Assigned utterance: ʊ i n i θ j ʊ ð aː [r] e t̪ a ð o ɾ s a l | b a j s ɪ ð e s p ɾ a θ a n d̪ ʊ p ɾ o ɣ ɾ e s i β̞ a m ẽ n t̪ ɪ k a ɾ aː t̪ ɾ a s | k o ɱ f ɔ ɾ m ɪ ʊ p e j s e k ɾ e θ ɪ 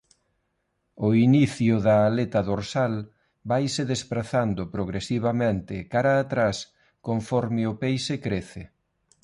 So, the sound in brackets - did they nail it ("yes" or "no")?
no